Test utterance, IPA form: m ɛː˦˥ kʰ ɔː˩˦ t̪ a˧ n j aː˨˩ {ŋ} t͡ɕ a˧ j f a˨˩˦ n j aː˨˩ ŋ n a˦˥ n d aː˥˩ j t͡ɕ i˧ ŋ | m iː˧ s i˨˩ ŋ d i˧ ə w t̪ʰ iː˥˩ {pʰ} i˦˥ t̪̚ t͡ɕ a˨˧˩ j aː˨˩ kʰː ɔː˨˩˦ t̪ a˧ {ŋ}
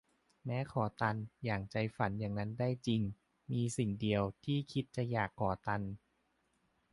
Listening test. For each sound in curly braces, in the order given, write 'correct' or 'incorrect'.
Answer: correct, incorrect: kʰ, incorrect: n

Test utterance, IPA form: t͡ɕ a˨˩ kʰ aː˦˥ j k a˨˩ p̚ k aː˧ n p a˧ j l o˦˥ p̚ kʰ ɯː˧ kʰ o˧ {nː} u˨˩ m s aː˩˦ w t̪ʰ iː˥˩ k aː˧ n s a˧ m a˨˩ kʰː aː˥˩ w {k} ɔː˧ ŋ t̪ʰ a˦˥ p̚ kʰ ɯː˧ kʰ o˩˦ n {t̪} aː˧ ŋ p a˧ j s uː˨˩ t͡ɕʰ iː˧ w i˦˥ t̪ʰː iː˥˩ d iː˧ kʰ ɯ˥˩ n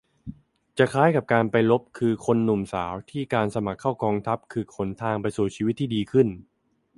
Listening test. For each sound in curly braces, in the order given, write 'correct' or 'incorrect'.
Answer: correct, correct, incorrect: t̪ʰ

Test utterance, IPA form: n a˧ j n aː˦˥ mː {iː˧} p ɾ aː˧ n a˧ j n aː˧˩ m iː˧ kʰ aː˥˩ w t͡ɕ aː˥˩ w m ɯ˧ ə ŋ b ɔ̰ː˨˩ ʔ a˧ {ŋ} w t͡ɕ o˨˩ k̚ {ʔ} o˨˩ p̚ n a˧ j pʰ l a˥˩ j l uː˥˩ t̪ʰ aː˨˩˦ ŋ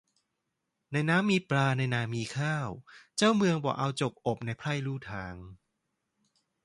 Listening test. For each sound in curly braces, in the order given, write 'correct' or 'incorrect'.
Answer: correct, incorrect: none, correct

